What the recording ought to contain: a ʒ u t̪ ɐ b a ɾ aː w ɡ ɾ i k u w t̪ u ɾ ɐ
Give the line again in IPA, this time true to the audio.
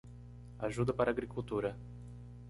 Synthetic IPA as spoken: a ʒ u d̪ ɐ p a ɾ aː ɡ ɾ i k u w t̪ u ɾ ɐ